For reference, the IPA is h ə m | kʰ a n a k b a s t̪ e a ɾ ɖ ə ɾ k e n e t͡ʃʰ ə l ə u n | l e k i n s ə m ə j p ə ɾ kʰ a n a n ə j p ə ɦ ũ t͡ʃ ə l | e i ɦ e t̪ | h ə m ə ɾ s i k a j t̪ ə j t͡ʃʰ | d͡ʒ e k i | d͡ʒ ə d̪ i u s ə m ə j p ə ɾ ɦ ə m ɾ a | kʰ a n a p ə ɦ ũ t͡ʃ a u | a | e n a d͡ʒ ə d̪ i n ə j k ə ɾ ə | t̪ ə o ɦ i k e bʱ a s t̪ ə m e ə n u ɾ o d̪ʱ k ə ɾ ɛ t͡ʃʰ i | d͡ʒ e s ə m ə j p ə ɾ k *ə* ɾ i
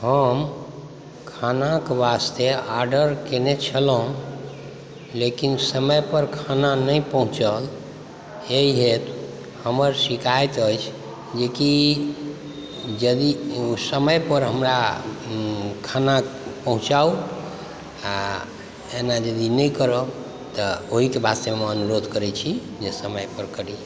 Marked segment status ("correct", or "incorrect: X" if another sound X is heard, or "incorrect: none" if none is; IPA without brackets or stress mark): correct